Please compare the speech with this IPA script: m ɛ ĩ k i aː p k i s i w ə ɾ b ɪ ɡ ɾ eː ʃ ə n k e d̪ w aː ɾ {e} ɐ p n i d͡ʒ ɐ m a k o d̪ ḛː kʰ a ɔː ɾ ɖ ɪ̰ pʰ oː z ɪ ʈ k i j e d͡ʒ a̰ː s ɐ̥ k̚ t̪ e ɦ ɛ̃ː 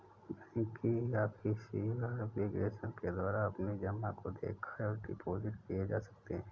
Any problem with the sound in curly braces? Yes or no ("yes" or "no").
yes